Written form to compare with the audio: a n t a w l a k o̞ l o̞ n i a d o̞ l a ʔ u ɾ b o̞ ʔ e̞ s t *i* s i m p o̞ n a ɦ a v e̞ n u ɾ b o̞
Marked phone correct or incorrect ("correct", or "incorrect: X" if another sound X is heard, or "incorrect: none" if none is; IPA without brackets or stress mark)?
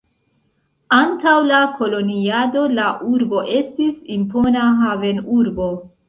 correct